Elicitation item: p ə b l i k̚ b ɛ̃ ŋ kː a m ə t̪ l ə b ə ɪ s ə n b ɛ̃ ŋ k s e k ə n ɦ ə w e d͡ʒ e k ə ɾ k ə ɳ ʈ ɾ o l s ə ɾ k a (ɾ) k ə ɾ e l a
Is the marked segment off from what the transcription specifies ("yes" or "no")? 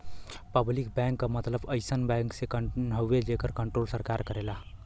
no